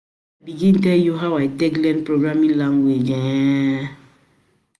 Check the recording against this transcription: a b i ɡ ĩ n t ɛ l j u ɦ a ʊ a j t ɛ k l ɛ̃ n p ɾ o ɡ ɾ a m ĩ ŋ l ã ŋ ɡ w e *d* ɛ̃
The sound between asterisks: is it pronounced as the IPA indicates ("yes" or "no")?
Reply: no